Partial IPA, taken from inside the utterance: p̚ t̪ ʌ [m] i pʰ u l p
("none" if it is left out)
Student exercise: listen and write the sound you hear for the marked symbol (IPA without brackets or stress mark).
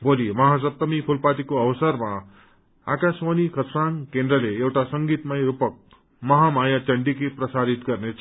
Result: m